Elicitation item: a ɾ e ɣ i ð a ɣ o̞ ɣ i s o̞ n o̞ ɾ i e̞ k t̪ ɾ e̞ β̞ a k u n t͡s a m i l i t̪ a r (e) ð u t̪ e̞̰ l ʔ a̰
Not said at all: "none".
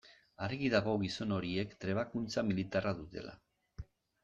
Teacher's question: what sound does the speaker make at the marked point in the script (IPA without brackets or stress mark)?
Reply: a